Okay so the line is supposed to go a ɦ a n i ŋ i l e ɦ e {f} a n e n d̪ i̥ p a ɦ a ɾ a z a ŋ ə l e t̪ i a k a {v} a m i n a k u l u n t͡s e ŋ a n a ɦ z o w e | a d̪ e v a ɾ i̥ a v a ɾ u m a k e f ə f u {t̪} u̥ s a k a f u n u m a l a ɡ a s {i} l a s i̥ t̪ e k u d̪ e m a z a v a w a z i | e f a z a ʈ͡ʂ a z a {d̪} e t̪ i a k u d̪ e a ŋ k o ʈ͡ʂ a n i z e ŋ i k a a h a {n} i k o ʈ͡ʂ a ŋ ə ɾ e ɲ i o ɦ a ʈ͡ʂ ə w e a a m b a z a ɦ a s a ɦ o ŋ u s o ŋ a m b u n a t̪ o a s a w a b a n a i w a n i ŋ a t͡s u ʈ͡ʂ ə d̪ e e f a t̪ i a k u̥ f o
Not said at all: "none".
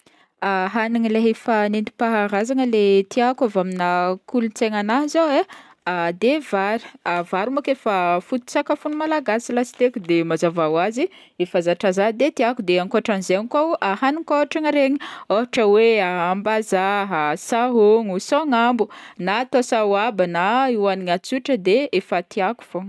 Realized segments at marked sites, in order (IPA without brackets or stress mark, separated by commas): f, v, t̪, i, d̪, n